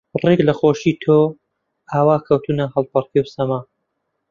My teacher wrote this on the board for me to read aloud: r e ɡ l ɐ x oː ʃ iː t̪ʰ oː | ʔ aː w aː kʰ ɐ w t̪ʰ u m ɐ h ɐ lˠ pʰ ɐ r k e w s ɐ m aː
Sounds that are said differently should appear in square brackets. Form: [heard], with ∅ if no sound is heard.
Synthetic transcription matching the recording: r e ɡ l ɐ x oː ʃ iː t̪ʰ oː | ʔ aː w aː kʰ ɐ w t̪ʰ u [n] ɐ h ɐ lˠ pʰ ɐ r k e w s ɐ m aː